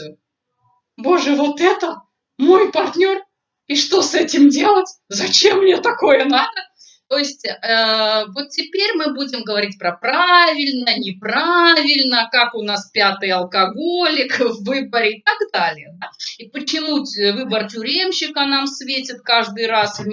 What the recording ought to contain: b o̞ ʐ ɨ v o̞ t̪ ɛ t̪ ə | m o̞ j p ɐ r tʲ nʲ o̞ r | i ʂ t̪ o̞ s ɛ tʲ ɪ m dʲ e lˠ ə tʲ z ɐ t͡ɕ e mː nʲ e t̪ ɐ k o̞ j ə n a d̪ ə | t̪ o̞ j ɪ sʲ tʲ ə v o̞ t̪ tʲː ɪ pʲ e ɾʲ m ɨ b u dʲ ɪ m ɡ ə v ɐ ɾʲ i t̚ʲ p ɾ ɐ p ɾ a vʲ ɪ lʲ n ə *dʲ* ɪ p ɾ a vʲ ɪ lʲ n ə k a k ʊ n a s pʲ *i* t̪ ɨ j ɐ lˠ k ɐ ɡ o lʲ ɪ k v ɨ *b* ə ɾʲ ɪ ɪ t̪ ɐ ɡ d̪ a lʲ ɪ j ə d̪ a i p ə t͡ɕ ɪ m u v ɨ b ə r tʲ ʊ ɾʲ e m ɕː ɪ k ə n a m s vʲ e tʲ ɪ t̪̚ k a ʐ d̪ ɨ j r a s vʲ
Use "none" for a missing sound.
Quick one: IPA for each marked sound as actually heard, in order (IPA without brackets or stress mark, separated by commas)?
nʲ, a, b